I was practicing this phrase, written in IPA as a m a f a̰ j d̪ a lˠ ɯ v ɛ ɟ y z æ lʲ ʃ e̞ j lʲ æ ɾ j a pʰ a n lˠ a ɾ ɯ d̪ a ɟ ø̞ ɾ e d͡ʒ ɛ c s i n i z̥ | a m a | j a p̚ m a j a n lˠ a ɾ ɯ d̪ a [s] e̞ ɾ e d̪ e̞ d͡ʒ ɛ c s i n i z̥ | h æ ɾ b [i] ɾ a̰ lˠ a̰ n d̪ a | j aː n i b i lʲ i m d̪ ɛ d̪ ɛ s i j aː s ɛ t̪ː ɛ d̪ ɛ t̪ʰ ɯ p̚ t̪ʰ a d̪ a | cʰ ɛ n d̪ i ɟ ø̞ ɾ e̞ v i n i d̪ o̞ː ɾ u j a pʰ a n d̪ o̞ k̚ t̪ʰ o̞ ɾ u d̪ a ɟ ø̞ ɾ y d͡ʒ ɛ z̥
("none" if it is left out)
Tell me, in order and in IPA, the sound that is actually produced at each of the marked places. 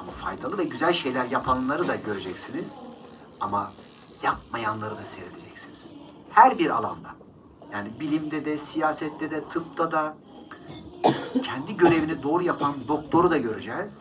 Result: s, i

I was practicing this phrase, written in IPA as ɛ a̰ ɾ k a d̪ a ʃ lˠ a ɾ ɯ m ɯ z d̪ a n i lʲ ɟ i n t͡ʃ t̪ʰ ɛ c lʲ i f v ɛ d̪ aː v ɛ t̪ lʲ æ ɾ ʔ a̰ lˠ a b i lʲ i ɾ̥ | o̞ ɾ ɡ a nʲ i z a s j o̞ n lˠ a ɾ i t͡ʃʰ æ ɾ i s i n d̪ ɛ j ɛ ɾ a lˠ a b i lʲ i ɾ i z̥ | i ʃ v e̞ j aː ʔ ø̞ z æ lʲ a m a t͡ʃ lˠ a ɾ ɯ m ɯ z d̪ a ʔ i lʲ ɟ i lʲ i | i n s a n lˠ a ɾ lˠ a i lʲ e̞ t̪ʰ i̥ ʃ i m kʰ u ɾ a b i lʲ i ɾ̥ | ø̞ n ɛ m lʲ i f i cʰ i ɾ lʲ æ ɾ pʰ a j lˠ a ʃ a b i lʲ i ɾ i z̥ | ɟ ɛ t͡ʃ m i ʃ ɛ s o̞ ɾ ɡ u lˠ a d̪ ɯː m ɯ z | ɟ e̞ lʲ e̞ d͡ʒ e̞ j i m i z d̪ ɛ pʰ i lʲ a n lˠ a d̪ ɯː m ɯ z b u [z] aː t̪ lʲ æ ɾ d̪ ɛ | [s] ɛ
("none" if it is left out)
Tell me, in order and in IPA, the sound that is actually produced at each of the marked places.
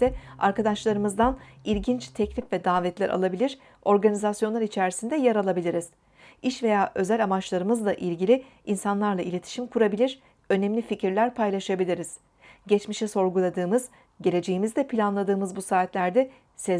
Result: s, s

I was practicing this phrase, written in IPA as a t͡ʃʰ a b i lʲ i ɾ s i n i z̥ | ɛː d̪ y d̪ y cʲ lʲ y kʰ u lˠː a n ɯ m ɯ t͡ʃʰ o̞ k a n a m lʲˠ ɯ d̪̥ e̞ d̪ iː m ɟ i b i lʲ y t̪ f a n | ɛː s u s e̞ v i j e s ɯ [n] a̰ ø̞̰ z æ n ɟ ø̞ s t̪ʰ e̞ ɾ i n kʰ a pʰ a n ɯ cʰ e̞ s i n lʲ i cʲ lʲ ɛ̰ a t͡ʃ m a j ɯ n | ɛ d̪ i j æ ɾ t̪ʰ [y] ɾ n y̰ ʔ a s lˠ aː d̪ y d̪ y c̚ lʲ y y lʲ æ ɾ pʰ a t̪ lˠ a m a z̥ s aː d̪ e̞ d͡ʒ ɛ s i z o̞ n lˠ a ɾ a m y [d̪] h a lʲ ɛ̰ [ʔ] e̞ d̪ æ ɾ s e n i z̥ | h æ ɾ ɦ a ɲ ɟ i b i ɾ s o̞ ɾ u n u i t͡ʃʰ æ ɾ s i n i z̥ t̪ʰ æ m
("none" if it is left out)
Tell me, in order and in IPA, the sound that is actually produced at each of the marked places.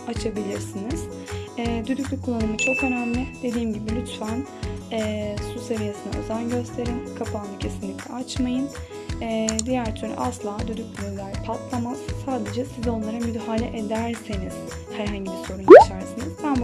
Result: n, y, d̪, ʔ

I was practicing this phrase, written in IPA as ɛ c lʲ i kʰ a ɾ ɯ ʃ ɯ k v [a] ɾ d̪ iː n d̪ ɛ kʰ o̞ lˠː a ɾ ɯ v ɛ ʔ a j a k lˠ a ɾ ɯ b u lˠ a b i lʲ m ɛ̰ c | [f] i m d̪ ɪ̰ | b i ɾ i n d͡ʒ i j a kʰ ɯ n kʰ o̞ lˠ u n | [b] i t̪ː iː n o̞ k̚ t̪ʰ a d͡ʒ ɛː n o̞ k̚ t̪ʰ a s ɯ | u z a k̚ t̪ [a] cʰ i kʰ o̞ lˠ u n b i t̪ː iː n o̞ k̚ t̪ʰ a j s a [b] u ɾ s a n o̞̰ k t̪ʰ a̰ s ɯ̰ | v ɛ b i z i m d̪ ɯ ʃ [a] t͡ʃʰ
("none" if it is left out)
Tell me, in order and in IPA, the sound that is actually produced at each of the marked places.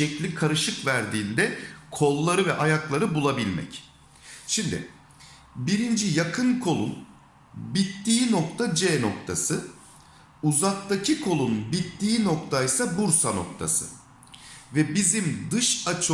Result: æ, ʃ, b, a, b, a

